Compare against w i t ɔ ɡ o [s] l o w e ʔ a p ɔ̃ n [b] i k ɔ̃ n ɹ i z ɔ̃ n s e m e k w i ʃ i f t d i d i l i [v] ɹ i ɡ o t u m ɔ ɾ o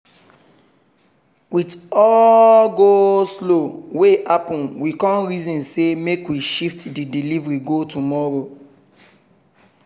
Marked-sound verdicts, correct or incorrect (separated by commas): correct, incorrect, correct